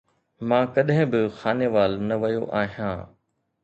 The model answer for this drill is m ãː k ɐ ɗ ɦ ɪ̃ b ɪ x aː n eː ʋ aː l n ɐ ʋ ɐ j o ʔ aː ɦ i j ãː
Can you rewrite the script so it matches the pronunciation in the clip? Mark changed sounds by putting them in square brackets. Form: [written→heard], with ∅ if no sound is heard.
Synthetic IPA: m ãː k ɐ ɗ ɦ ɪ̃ b ɪ x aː n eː ʋ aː l n ɐ ʋ ɐ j o ʔ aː ɦ i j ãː